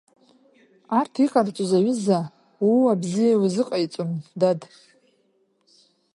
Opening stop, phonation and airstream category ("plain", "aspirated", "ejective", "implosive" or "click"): aspirated